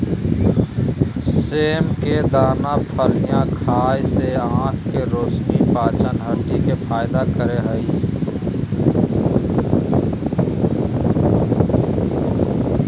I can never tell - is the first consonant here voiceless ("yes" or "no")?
yes